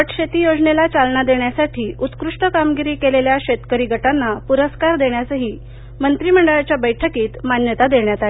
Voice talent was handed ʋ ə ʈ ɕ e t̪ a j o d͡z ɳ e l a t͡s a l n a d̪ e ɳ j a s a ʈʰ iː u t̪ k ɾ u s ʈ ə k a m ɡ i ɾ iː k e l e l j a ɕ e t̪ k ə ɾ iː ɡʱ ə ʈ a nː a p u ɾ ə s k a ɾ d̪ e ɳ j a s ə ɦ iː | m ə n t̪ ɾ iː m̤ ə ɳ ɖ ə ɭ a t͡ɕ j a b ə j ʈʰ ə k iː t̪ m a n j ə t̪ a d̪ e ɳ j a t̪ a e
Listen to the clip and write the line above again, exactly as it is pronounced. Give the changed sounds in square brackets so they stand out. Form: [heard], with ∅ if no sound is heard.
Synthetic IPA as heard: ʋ ə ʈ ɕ e t̪ [i] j o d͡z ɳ e l a t͡s a l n a d̪ e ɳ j a s a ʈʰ iː u t̪ k ɾ u [ʂ] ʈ ə k a m ɡ i ɾ iː k e l e l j a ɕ e t̪ k ə ɾ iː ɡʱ ə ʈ a nː a p u ɾ ə s k a ɾ d̪ e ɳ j a s ə ɦ iː | m ə n t̪ ɾ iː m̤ ə ɳ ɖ ə ɭ a t͡ɕ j a b ə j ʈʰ ə k iː t̪ m a n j ə t̪ a d̪ e ɳ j a t̪ a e

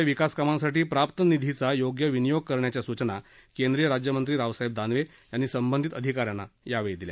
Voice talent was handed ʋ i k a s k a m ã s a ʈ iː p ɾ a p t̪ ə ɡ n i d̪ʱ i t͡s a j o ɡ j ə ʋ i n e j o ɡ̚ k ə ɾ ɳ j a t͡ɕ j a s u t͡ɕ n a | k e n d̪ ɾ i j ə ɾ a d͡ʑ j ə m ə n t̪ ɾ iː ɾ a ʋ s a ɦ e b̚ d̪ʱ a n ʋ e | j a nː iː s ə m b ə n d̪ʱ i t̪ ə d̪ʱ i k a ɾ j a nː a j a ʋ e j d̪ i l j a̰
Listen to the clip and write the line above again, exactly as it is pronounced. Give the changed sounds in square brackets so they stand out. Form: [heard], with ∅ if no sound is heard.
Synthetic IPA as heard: ʋ i k a s k a m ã s a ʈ iː p ɾ a p t̪ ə [∅] n i d̪ʱ i t͡s a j o ɡ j ə ʋ i n [i] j o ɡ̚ k ə ɾ ɳ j a t͡ɕ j a s u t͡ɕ n a | k e n d̪ ɾ i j ə ɾ a d͡ʑ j ə m ə n t̪ ɾ iː ɾ a ʋ s a ɦ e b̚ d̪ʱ a n ʋ e | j a nː iː s ə m b ə n d̪ʱ i t̪ ə d̪ʱ i k a ɾ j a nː a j a ʋ e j d̪ i l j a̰

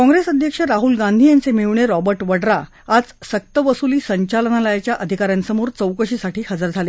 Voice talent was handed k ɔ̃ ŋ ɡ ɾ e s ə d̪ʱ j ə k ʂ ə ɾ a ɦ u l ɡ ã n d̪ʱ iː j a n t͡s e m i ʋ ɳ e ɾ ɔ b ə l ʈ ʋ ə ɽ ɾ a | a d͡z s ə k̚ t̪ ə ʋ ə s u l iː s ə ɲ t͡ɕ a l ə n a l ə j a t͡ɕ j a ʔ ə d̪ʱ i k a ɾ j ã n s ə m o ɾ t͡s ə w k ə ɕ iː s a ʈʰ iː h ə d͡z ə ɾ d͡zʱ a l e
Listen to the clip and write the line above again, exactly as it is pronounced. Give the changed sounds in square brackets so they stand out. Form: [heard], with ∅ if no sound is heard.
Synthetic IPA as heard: k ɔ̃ ŋ ɡ ɾ e s ə d̪ʱ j ə k ʂ ə ɾ a ɦ u l ɡ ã n d̪ʱ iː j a n t͡s e m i ʋ ɳ e ɾ ɔ b ə [ɾ] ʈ ʋ ə ɽ ɾ a | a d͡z s ə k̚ t̪ ə ʋ ə s u l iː s ə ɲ t͡ɕ a l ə n a l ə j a t͡ɕ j a ʔ ə d̪ʱ i k a ɾ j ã n s ə m o ɾ t͡s ə w k ə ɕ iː s a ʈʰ iː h ə d͡z ə ɾ d͡zʱ a l e

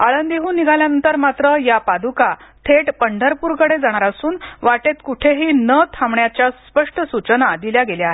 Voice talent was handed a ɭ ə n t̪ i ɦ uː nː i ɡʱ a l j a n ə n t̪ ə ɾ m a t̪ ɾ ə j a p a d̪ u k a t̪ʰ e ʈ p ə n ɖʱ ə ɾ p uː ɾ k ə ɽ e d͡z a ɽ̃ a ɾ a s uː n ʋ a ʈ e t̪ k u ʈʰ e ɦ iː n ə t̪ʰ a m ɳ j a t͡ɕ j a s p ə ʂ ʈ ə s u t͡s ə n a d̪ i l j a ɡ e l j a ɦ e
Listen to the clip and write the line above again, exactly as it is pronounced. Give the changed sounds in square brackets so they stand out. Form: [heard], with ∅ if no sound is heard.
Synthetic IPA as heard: a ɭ ə n [d̪] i ɦ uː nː i ɡʱ a l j a n ə n t̪ ə ɾ m a t̪ ɾ ə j a p a d̪ u k a t̪ʰ e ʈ p ə [ɳ] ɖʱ ə ɾ p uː ɾ k ə ɽ e d͡z a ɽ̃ a ɾ a s uː n ʋ a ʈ e t̪ k u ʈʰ e ɦ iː n ə t̪ʰ a m ɳ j a t͡ɕ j a s p ə ʂ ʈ ə s u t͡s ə n a d̪ i l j a ɡ e l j a ɦ e

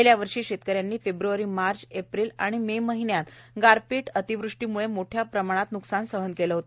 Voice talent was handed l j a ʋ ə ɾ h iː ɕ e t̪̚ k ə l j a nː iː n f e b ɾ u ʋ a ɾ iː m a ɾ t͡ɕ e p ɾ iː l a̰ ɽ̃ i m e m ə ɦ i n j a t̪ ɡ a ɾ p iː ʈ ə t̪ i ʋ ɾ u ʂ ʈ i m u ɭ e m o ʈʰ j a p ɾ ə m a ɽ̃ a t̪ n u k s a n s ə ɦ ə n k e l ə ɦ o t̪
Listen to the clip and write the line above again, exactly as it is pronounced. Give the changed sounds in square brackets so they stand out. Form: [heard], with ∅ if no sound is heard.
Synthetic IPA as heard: l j a ʋ ə ɾ [ʂ] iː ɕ e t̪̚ k ə [ɾ] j a nː iː [∅] f e b ɾ u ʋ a ɾ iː m a ɾ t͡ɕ e p ɾ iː l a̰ ɽ̃ i m e m ə ɦ i n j a t̪ ɡ a ɾ p iː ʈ ə t̪ i ʋ ɾ u ʂ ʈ i m u ɭ e m o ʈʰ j a p ɾ ə m a ɽ̃ a t̪ n u k s a n s ə ɦ ə n k e l ə ɦ o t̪

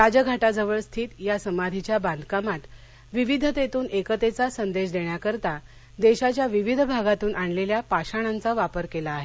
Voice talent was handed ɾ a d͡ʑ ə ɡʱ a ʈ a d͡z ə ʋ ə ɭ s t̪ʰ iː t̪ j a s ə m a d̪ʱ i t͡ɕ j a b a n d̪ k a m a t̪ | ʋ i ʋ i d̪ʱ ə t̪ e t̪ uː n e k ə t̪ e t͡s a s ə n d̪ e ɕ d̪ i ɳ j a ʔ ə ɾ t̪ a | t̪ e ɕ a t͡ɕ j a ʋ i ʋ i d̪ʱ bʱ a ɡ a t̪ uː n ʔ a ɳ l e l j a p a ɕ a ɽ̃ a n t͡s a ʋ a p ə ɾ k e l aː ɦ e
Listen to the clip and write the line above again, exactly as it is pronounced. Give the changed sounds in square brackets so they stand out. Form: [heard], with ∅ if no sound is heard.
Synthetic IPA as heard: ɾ a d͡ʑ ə ɡʱ a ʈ a d͡z ə ʋ ə ɭ s t̪ʰ iː t̪ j a s ə m a d̪ʱ i t͡ɕ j a b a n d̪ k a m a t̪ | ʋ i ʋ i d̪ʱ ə t̪ e t̪ uː n e k ə t̪ e t͡s a s ə n d̪ e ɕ d̪ [e] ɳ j a [k] ə ɾ t̪ a | [d̪] e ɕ a t͡ɕ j a ʋ i ʋ i d̪ʱ bʱ a ɡ a t̪ uː n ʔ a ɳ l e l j a p a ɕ a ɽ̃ a n t͡s a ʋ a p ə ɾ k e l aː ɦ e

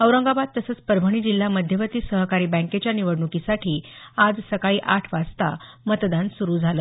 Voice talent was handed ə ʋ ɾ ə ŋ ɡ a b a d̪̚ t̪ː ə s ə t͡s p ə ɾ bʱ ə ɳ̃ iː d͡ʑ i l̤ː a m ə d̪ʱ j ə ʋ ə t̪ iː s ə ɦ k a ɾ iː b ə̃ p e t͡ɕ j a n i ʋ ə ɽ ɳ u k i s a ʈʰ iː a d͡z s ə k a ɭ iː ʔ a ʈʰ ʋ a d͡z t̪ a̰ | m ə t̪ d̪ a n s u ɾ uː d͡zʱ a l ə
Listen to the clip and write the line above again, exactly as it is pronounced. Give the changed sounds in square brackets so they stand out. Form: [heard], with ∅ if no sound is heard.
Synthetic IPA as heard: ə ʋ ɾ ə ŋ ɡ a b a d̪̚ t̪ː ə s ə t͡s p ə ɾ bʱ ə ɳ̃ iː d͡ʑ i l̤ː a m ə d̪ʱ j ə ʋ ə t̪ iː s ə ɦ k a ɾ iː b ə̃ [k] e t͡ɕ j a n i ʋ ə ɽ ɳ u k i s a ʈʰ iː a d͡z s ə k a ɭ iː ʔ a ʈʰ ʋ a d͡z t̪ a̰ | m ə t̪ d̪ a n s u ɾ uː d͡zʱ a l ə

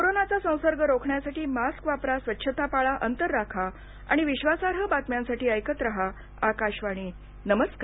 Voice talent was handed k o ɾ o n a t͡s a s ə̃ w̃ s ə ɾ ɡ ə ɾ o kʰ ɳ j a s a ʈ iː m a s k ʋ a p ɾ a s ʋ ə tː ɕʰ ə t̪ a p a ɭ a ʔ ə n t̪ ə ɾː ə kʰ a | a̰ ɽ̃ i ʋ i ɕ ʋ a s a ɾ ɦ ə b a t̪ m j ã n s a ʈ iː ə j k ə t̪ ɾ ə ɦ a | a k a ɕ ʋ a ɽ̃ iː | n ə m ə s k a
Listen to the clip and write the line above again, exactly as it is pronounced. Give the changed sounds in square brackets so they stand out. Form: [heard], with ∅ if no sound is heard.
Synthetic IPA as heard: k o ɾ o n a t͡s a s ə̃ w̃ s ə ɾ ɡ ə ɾ o kʰ ɳ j a s a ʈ iː m a s k ʋ a p ɾ a s ʋ ə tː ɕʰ ə t̪ a p a ɭ a ʔ ə n t̪ ə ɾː [a] kʰ a | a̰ ɽ̃ i ʋ i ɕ ʋ a s a ɾ ɦ ə b a t̪ m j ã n s a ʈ iː ə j k ə t̪ ɾ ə ɦ a | a k a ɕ ʋ a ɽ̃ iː | n ə m ə s k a

